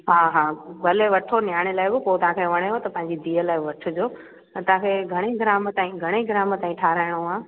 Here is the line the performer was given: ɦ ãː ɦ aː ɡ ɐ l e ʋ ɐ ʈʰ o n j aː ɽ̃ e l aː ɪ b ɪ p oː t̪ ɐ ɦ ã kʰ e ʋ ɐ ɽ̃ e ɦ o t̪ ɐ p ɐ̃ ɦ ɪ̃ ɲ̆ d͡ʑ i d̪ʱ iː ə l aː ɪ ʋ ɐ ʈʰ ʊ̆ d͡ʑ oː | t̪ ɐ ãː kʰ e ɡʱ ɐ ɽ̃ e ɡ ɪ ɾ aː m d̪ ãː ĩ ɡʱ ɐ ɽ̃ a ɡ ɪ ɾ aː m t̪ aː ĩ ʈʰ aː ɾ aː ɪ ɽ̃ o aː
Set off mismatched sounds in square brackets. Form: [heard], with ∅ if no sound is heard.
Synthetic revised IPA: ɦ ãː ɦ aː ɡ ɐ l e ʋ ɐ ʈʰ o n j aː ɽ̃ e l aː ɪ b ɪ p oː t̪ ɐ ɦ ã kʰ e ʋ ɐ ɽ̃ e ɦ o t̪ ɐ p ɐ̃ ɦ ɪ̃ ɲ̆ d͡ʑ i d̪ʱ iː ə l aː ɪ ʋ ɐ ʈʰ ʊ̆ d͡ʑ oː | t̪ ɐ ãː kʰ e ɡʱ ɐ ɽ̃ e ɡ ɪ ɾ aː m [t̪] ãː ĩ ɡʱ ɐ ɽ̃ [e] ɡ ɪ ɾ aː m t̪ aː ĩ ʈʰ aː ɾ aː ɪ ɽ̃ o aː